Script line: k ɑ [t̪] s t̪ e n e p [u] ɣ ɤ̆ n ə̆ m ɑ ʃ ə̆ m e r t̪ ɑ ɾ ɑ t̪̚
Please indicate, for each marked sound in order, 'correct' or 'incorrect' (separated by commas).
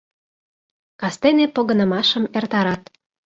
incorrect, incorrect